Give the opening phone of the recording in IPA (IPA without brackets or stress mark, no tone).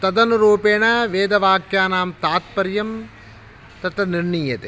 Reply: t̪